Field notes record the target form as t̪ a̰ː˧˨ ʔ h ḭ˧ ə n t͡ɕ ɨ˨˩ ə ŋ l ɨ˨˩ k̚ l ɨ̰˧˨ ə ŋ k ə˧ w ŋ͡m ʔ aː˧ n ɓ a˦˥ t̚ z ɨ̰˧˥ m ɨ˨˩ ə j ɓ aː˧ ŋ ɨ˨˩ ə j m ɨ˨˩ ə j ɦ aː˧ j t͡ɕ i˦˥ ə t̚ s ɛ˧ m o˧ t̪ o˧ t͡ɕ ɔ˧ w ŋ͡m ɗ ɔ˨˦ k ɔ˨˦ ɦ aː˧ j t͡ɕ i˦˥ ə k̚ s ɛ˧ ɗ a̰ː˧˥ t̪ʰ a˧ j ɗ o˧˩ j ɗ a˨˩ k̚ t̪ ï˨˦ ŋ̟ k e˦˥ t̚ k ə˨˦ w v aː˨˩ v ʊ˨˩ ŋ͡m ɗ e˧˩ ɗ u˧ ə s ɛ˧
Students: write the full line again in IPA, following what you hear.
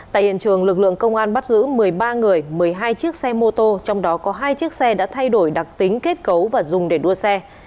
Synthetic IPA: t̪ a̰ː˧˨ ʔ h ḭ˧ ə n t͡ɕ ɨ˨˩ ə ŋ l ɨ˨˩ k̚ l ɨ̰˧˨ ə ŋ k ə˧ w ŋ͡m ʔ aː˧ n ɓ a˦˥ t̚ z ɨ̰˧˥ m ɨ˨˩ ə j ɓ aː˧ ŋ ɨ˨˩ ə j m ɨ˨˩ ə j ɦ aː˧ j t͡ɕ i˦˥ ə k̚ s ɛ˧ m o˧ t̪ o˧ t͡ɕ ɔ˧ w ŋ͡m ɗ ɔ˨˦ k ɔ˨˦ ɦ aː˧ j t͡ɕ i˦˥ ə k̚ s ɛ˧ ɗ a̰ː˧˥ t̪ʰ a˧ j ɗ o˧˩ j ɗ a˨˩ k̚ t̪ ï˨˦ ŋ̟ k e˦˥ t̚ k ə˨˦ w v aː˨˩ z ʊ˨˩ ŋ͡m ɗ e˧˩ ɗ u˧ ə s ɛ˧

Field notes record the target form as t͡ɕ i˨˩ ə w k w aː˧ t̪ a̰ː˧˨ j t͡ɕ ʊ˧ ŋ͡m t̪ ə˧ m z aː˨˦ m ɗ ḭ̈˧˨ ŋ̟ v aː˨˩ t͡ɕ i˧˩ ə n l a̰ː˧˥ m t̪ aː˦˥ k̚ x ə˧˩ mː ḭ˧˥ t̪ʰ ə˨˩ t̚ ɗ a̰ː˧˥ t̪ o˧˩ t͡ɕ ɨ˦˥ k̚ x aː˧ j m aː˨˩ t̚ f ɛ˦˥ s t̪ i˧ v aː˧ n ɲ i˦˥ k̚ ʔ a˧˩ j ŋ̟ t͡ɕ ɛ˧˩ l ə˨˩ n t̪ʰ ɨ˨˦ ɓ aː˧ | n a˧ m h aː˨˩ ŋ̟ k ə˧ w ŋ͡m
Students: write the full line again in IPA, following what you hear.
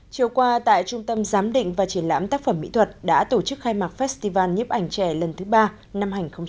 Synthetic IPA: t͡ɕ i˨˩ ə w k w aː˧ t̪ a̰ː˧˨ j t͡ɕ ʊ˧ ŋ͡m t̪ ə˧ m z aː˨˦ m ɗ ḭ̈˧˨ ŋ̟ v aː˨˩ t͡ɕ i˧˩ ə n l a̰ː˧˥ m t̪ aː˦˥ k̚ f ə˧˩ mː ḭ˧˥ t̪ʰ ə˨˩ t̚ ɗ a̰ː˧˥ t̪ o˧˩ t͡ɕ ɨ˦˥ k̚ x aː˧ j m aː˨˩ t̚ f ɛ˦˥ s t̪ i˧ v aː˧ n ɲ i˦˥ p̚ ʔ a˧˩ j ŋ̟ t͡ɕ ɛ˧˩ l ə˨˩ n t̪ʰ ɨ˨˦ ɓ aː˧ | n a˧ m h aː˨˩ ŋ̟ x ə˧ w ŋ͡m

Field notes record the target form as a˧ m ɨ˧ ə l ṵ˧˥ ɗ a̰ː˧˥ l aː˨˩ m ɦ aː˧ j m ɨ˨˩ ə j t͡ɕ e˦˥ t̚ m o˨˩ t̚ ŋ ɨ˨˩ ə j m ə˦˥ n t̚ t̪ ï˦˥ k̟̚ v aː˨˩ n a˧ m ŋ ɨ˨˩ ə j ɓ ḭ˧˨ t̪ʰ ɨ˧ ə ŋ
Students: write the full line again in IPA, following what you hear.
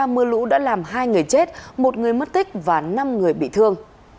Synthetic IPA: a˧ m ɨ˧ ə l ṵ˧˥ ɗ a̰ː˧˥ l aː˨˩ m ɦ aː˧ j ŋ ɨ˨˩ ə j t͡ɕ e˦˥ t̚ m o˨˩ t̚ ŋ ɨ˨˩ ə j m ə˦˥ t̚ t̪ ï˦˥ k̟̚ v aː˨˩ n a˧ m ŋ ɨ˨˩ ə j ɓ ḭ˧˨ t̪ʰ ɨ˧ ə ŋ

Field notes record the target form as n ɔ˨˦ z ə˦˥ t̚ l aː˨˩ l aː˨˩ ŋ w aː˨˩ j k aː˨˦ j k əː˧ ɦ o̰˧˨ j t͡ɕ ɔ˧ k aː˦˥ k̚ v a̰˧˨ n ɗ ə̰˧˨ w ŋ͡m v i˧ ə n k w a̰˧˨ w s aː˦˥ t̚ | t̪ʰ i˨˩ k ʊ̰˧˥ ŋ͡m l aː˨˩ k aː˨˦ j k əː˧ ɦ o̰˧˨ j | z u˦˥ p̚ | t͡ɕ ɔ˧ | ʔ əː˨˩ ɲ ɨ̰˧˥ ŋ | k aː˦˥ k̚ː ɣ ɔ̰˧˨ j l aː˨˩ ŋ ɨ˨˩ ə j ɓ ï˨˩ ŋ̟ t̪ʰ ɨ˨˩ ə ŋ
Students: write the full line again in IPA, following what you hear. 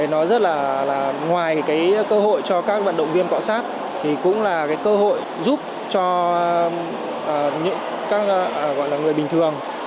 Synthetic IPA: n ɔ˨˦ z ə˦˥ t̚ l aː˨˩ l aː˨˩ ŋ w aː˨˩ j k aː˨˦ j k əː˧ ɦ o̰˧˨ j t͡ɕ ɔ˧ k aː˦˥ k̚ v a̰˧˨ n ɗ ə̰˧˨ w ŋ͡m v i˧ ə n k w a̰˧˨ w s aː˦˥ t̚ | t̪ʰ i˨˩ k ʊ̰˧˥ ŋ͡m l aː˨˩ k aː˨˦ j k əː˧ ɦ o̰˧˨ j | z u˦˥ p̚ | t͡ɕ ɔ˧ | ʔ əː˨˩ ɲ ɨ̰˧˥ ŋ | k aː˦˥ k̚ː ɣ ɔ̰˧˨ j l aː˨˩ ŋ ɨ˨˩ ə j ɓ ï˨˩ ŋ̟ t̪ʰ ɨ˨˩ ə ŋ

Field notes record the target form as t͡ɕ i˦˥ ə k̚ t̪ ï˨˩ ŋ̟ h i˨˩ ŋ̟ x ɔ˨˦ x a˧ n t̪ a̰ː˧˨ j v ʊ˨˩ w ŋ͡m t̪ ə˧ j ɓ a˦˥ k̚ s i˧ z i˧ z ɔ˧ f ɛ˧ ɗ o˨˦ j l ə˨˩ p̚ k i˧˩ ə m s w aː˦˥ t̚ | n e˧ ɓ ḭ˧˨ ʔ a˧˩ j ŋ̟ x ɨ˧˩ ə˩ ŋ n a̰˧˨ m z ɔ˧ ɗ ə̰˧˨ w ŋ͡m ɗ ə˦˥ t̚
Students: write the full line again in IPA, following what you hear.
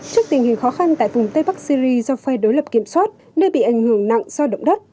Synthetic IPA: t͡ɕ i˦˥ ə k̚ t̪ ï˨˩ ŋ̟ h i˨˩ ŋ̟ x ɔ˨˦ x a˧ n t̪ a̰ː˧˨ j v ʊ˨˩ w ŋ͡m t̪ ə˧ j ɓ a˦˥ k̚ s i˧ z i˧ z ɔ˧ f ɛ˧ ɗ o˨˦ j l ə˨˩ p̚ k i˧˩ ə m s w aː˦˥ t̚ | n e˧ ɓ ḭ˧˨ ʔ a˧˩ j ŋ̟ h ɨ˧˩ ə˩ ŋ n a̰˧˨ ŋ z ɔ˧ ɗ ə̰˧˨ w ŋ͡m ɗ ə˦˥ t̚

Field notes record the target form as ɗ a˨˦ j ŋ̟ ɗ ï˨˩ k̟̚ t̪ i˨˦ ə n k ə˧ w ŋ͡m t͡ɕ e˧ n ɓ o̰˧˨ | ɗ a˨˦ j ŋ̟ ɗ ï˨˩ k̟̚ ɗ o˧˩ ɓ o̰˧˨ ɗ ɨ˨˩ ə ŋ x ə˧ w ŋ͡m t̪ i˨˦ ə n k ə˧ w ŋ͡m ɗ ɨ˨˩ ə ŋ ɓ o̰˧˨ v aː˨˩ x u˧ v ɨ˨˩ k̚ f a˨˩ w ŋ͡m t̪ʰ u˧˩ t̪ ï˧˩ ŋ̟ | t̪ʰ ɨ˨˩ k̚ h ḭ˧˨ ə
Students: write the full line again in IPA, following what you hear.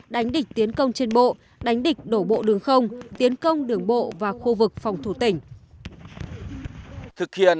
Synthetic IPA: ɗ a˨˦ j ŋ̟ ɗ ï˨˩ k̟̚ t̪ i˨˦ ə n k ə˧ w ŋ͡m t͡ɕ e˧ n ɓ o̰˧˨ | ɗ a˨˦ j ŋ̟ ɗ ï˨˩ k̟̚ ɗ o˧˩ ɓ o̰˧˨ ɗ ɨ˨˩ ə ŋ x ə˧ w ŋ͡m t̪ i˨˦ ə n k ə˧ w ŋ͡m ɗ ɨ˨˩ ə ŋ ɓ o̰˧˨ v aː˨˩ x u˧ v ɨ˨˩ k̚ f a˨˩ w ŋ͡m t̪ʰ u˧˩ t̪ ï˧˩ ŋ̟ | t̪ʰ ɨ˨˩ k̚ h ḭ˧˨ ə

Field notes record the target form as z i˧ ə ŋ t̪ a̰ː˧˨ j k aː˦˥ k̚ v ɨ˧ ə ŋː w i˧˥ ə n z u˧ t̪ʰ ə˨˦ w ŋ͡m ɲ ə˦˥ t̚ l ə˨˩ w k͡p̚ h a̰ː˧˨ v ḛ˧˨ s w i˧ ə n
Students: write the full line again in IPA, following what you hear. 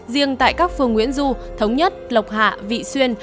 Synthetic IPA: z i˧ ə ŋ t̪ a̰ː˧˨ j k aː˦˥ k̚ f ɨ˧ ə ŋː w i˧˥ ə n z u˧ t̪ʰ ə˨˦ w ŋ͡m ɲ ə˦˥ t̚ l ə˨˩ w k͡p̚ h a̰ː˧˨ v ḭ˧˨ s w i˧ ə n

